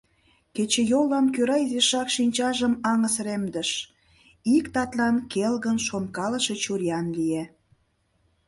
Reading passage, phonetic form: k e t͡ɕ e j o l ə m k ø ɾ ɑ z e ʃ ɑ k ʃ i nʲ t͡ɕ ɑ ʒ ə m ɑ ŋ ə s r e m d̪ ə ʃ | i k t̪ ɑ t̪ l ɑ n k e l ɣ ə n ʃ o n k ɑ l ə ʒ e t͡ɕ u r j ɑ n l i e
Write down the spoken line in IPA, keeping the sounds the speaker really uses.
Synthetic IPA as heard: k e t͡ɕ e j o l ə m k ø ɾ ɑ z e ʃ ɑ k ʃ i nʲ t͡ɕ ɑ ʒ ə m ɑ ŋ ə s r e m d̪ ə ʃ | i k t̪ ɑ t̪ l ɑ n k e l ɣ ə n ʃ o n k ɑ l ə ʃ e t͡ɕ u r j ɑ n l i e